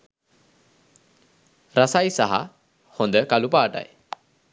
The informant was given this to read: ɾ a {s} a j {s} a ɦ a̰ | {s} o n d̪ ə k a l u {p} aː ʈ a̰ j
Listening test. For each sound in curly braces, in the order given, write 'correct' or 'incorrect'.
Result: correct, correct, incorrect: h, correct

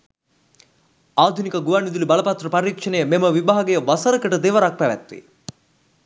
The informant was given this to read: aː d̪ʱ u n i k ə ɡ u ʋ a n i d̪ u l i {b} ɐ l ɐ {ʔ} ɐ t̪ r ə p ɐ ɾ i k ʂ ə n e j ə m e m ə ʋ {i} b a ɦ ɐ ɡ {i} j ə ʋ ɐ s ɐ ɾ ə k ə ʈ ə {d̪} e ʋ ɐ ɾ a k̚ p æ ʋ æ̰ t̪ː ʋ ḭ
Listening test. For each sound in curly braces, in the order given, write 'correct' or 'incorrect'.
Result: correct, incorrect: p, correct, incorrect: e, correct

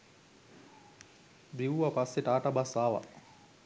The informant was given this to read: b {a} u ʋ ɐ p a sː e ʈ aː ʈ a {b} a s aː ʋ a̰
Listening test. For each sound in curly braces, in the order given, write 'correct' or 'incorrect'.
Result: incorrect: i, correct

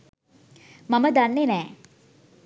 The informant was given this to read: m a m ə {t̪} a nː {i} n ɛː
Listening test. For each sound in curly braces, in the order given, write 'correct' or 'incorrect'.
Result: incorrect: d̪, incorrect: e

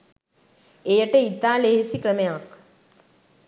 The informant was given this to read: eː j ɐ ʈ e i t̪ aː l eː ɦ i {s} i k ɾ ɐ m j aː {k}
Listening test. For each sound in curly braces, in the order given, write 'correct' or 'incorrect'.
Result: correct, correct

